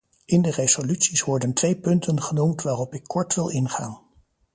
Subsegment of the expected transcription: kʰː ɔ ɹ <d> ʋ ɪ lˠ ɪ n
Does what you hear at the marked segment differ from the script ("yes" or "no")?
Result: yes